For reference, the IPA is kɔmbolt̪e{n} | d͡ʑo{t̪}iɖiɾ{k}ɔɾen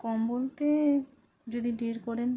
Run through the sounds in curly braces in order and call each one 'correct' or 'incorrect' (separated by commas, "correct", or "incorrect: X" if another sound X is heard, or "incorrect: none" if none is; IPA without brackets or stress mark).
incorrect: none, incorrect: d̪, correct